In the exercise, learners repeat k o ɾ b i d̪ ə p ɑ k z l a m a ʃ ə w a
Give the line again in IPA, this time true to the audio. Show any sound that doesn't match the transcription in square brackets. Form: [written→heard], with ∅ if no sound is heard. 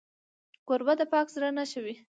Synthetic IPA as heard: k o ɾ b [i→a] d̪ ə p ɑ k z [l→ɾ] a [m→n] a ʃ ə w [a→i]